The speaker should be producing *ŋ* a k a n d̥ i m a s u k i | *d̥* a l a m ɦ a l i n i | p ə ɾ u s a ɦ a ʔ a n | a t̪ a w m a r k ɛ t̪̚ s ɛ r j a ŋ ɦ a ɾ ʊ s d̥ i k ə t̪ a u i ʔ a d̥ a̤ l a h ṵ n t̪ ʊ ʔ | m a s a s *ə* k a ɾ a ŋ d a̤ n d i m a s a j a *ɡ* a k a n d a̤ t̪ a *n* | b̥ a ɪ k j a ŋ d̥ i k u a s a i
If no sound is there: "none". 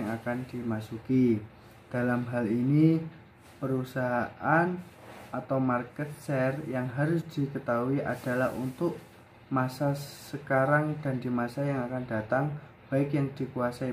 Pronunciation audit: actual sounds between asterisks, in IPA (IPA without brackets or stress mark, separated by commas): ŋ, d̥, ə, ŋ, ŋ